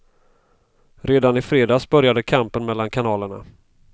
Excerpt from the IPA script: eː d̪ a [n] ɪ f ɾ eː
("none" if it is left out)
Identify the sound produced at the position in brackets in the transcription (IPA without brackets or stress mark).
n